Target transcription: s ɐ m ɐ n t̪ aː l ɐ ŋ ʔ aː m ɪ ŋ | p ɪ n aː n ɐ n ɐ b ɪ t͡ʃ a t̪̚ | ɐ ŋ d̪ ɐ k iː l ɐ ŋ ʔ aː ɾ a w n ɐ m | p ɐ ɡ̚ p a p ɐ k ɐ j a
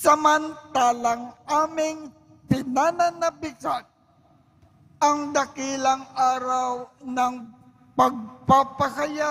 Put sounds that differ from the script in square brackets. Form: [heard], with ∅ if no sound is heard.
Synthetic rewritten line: s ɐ m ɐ n t̪ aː l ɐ ŋ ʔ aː m ɪ ŋ | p ɪ n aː n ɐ n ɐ b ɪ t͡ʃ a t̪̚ | ɐ ŋ d̪ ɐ k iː l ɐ ŋ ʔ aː ɾ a w n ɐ [ŋ] | p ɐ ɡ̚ p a p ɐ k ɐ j a